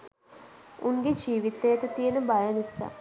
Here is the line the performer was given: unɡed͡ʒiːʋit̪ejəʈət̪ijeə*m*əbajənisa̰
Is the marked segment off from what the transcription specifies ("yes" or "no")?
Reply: yes